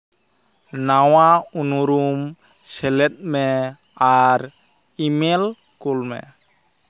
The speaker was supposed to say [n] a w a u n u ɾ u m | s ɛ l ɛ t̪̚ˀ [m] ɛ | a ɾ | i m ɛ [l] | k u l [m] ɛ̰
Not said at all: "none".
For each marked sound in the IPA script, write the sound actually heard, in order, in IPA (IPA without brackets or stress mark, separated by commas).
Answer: n, m, l, m